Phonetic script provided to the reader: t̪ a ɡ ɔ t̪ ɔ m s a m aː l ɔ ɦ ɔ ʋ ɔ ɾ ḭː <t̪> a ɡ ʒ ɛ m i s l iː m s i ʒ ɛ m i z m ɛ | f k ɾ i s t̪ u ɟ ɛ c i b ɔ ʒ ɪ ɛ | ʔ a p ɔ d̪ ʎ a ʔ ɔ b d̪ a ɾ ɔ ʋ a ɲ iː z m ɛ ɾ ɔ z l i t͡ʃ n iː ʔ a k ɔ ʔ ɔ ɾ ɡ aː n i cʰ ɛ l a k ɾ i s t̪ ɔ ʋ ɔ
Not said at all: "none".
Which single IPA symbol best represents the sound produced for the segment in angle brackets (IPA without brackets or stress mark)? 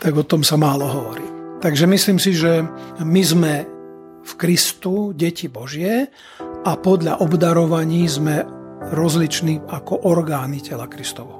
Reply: t̪